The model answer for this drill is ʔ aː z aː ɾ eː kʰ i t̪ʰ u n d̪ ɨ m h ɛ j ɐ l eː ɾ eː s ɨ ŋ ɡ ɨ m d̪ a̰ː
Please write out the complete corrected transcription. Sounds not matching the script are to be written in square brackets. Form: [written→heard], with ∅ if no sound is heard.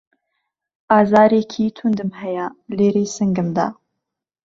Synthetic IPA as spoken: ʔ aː z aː ɾ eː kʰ i t̪ʰ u n d̪ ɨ m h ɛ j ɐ l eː ɾ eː s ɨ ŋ ɡ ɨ m d̪ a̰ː